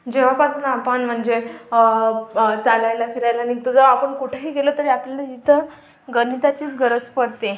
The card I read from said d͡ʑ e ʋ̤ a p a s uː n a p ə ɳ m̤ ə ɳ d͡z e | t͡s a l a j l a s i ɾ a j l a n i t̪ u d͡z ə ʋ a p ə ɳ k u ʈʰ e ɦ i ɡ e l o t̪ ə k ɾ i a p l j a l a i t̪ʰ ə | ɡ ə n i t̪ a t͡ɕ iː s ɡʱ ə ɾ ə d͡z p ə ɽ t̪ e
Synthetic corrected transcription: d͡ʑ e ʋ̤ a p a s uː n a p ə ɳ m̤ ə ɳ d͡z e | t͡s a l a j l a f i ɾ a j l a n i t̪ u d͡z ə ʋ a p ə ɳ k u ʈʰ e ɦ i ɡ e l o t̪ ə ɾ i a p l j a l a i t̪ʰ ə | ɡ ə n i t̪ a t͡ɕ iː t͡s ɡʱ ə ɾ ə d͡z p ə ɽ t̪ e

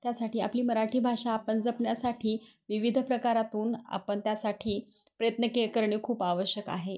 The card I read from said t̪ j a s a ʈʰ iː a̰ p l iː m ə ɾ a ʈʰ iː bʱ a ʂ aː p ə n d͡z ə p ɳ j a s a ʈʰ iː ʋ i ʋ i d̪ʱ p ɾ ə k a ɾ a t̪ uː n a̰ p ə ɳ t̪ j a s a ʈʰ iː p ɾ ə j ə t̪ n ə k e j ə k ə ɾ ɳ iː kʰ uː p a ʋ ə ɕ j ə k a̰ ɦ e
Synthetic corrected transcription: t̪ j a s a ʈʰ iː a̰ p l iː m ə ɾ a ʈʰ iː bʱ a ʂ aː p ə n d͡z ə p ɳ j a s a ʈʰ iː ʋ i ʋ i d̪ʱ p ɾ ə k a ɾ a t̪ uː n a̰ p ə ɳ t̪ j a s a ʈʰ iː p ɾ ə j ə t̪ n ə k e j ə k ə ɾ ɳ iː kʰ uː p a ʋ ə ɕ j ə k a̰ ɦ e

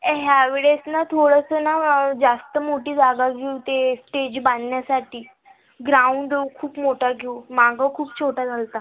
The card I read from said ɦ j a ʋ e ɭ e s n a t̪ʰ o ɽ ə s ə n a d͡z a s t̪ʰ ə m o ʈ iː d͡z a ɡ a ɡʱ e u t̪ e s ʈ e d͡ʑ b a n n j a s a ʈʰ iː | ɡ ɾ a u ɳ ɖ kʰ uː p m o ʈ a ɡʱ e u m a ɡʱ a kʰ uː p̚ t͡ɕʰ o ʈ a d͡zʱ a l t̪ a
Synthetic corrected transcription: ɦ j a ʋ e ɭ e s n a t̪ʰ o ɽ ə s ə n a d͡z a s t̪ ə m o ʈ iː d͡z a ɡ a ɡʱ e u t̪ e s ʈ e d͡ʑ b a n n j a s a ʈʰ iː | ɡ ɾ a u ɳ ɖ kʰ uː p m o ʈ a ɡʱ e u m a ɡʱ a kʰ uː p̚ t͡ɕʰ o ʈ a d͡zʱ a l t̪ a

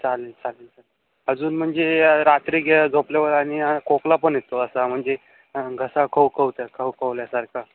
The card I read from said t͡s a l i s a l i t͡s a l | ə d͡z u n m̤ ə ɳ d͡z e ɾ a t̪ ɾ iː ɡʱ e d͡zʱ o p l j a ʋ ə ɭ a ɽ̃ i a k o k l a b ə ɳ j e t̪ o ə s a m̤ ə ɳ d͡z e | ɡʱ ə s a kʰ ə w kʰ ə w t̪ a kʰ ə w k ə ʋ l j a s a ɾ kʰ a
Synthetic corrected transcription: t͡s a l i t͡s a l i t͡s a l | ə d͡z uː n m̤ ə ɳ d͡z e ɾ a t̪ ɾ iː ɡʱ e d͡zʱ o p l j a ʋ ə ɾ a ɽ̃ i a k o k l a p ə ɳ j e t̪ o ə s a m̤ ə ɳ d͡z e | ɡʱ ə s a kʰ ə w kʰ ə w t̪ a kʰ ə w k ə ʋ l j a s a ɾ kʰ a

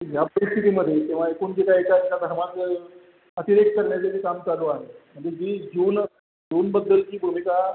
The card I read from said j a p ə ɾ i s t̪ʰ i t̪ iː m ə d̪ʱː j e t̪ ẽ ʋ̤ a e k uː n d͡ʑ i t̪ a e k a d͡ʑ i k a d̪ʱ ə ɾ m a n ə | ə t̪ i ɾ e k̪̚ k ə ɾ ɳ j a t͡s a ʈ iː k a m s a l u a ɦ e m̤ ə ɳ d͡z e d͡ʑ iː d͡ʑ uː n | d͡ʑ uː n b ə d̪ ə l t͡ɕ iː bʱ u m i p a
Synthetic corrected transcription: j a p ə ɾ i s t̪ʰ i t̪ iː m ə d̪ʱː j e t̪ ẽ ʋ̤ a e k uː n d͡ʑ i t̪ a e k a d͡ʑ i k a d̪ʱ ə ɾ m a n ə | ə t̪ i ɾ e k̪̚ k ə ɾ ɳ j a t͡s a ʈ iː k a m t͡s a l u a ɦ e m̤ ə ɳ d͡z e d͡ʑ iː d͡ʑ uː n | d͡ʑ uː n b ə d̪ː ə l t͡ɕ iː bʱ u m i k a

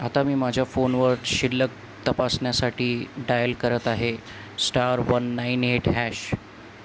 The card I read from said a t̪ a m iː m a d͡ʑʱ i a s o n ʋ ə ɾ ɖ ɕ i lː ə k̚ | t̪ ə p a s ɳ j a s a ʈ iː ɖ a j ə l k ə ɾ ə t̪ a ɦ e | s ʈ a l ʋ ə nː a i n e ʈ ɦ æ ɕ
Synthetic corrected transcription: a t̪ a m iː m a d͡ʑʱ j a f o n ʋ ə ɾ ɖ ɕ i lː ə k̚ | t̪ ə p a s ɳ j a s a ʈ iː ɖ a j ə l k ə ɾ ə t̪ a ɦ e | s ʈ a ɾ ʋ ə nː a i n e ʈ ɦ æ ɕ

